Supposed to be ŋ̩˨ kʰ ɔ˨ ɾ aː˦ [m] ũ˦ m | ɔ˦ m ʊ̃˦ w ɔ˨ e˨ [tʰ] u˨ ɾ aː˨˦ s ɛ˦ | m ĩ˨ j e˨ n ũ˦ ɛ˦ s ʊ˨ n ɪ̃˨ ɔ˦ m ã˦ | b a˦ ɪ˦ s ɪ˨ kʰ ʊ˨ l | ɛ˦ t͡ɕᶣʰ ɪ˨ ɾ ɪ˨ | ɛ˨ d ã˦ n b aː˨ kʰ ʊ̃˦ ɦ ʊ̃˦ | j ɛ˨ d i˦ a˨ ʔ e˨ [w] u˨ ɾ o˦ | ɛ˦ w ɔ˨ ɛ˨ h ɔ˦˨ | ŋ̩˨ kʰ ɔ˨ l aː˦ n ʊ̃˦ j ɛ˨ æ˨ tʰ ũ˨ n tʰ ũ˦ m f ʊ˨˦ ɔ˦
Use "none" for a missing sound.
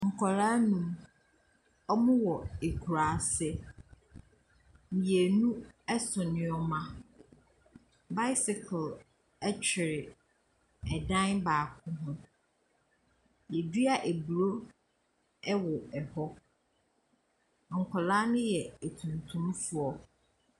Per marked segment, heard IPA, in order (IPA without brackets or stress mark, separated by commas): n, kʰ, b